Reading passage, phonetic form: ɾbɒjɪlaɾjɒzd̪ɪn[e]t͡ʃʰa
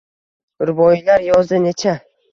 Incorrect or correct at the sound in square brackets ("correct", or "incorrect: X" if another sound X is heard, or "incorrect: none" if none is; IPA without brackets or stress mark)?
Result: correct